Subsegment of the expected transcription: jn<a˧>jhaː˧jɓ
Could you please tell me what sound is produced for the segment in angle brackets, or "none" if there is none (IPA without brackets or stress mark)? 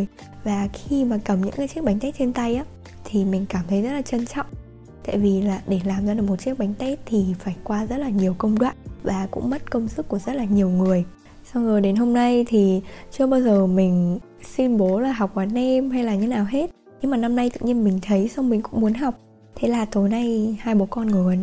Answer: a˧